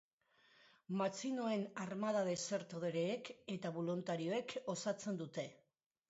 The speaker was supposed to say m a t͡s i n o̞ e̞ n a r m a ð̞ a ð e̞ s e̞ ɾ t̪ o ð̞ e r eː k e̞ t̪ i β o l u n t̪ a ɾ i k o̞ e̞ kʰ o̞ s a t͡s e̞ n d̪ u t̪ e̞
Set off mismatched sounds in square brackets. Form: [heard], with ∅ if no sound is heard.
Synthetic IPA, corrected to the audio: m a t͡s i n o̞ e̞ n a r m a ð̞ a ð e̞ s e̞ ɾ t̪ o ð̞ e [ɾ] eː k e̞ t̪ [a] β o l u n t̪ a ɾ i [∅] o̞ e̞ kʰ o̞ s a t͡s e̞ n d̪ u t̪ e̞